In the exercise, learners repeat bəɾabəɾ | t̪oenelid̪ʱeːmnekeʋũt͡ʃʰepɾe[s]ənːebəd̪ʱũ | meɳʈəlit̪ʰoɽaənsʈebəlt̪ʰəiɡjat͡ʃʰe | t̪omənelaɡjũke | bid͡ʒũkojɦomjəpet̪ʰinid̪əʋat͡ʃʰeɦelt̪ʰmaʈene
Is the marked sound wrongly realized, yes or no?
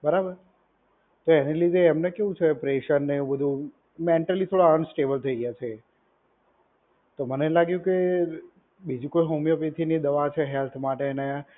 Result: yes